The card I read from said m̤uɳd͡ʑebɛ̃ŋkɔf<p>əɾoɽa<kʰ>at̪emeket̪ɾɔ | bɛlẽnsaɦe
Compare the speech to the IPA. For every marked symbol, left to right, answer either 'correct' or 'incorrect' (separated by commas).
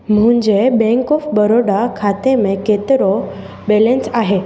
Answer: incorrect, correct